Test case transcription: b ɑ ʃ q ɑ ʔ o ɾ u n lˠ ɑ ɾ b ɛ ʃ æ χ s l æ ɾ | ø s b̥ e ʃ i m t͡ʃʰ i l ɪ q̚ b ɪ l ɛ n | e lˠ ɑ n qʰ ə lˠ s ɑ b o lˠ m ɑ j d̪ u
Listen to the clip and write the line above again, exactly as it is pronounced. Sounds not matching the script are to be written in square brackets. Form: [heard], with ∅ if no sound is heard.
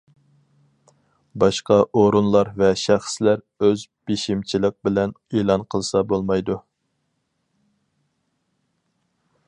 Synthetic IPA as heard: b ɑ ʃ q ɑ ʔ o ɾ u n lˠ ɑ ɾ [v] ɛ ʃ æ χ s l æ ɾ | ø [z] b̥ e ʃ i m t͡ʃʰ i l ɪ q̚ b ɪ l ɛ n | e lˠ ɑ n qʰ ə lˠ s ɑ b o lˠ m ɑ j d̪ u